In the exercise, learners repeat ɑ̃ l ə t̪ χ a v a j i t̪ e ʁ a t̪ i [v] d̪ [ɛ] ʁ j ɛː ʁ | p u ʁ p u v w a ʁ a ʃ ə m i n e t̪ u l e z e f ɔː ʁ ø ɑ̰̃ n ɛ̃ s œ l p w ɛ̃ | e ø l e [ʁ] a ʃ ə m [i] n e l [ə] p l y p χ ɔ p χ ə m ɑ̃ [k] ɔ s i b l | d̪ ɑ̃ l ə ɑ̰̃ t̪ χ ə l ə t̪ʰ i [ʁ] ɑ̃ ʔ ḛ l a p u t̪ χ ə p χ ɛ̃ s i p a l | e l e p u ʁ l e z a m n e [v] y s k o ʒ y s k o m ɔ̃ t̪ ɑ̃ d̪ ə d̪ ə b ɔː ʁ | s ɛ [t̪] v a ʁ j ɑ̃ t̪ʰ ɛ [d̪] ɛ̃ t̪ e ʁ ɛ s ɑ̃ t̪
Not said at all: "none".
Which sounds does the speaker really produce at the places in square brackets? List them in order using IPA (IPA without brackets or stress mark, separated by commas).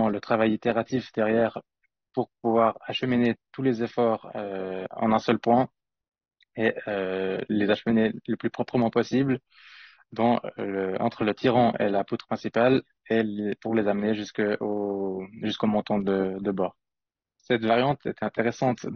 f, ɛ, z, i, ə, p, ʁ, ʒ, t̪, t̪